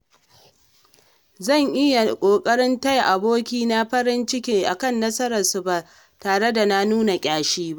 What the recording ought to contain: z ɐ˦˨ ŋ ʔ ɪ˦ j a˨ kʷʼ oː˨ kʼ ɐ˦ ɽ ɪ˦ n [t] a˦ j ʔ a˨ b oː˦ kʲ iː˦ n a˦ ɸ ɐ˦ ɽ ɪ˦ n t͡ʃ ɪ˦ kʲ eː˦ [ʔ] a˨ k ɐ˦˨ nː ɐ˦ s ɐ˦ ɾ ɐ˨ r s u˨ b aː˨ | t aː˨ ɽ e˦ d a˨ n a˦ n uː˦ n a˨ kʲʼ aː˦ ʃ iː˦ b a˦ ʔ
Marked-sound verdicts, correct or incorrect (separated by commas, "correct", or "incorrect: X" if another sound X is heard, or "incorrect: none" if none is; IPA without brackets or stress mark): correct, correct